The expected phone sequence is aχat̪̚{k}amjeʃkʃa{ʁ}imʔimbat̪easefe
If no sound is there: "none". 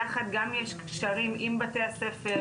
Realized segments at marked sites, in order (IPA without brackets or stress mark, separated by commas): ɡ, ʁ